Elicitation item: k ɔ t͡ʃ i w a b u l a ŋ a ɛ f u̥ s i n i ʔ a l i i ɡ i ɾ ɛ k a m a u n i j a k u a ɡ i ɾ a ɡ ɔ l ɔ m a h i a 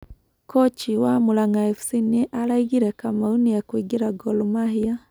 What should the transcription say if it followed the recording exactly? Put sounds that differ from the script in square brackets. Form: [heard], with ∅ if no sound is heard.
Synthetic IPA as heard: k ɔ t͡ʃ i w a [m] u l a ŋ a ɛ f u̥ s i n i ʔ a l [a] i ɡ i ɾ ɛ k a m a u n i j a k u [i] ɡ i ɾ a ɡ ɔ l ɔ m a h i a